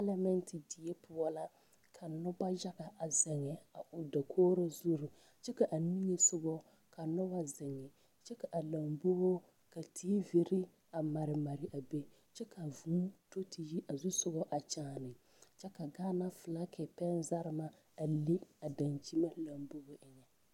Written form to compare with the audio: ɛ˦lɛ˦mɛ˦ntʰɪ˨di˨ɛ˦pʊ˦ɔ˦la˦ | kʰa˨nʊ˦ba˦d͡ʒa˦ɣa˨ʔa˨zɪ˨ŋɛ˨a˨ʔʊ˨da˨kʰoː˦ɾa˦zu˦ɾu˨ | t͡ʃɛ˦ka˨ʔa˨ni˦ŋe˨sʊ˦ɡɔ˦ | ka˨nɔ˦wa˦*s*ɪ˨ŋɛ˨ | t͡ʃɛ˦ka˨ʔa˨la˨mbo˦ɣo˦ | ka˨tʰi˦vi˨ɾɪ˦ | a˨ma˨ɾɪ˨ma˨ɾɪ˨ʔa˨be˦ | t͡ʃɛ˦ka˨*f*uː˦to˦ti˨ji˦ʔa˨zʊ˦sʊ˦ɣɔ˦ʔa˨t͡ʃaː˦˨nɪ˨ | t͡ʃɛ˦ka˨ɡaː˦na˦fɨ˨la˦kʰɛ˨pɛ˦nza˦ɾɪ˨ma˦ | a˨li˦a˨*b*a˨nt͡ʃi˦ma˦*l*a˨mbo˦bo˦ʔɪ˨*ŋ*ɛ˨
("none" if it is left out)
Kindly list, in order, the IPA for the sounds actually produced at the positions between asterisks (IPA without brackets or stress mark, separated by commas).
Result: z, v, d, l, ɲ